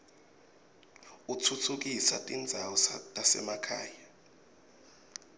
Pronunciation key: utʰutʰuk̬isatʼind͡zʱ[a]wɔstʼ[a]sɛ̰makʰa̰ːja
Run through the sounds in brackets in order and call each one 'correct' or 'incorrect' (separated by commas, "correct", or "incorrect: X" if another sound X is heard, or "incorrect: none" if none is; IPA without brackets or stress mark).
correct, correct